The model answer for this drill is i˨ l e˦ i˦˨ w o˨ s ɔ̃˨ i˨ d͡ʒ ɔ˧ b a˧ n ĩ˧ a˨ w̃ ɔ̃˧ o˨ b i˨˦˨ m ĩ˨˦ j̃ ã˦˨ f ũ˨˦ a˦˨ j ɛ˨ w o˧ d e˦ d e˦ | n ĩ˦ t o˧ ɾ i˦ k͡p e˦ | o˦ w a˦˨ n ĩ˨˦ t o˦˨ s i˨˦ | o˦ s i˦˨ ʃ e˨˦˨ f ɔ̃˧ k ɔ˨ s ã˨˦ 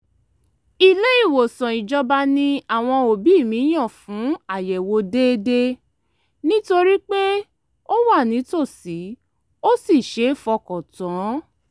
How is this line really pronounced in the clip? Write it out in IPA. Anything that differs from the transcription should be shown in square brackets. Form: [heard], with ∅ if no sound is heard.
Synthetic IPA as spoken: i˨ l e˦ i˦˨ w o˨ s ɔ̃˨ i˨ d͡ʒ ɔ˧ b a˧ n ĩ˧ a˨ w̃ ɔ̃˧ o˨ b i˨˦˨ m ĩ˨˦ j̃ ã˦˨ f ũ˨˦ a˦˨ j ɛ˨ w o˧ d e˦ d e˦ | n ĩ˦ t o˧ ɾ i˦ k͡p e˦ | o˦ w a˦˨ n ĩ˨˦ t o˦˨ s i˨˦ | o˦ s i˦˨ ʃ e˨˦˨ f [ɔ˧] k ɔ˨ [t] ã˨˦